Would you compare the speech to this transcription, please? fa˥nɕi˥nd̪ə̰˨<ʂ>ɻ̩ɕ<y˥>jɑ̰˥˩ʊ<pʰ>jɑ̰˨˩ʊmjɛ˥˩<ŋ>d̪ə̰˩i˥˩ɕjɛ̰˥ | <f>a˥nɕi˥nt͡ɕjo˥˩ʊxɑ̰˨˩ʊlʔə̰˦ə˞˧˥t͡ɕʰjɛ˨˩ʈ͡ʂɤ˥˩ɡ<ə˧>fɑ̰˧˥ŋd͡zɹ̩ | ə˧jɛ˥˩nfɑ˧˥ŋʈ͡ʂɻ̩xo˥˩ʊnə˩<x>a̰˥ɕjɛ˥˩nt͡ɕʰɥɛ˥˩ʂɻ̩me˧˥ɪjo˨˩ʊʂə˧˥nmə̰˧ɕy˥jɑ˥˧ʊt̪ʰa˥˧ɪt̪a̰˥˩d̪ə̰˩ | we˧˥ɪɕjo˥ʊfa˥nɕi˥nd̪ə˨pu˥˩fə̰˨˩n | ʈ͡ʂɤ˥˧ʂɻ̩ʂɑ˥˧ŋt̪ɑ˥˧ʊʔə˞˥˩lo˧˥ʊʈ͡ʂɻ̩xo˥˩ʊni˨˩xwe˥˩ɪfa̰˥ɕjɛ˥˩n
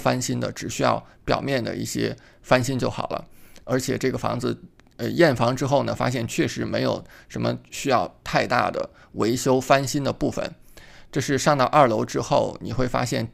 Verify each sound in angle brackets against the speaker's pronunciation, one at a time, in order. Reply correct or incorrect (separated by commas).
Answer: incorrect, correct, incorrect, incorrect, correct, incorrect, incorrect